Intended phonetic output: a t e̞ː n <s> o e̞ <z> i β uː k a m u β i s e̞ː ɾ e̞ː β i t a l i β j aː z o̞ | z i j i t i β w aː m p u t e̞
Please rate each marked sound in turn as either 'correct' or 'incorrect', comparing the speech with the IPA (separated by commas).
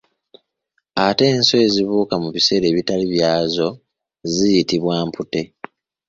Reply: correct, correct